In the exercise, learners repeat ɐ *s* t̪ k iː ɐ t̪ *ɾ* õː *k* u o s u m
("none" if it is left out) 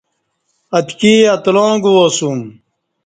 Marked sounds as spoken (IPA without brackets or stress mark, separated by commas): none, l, ɡ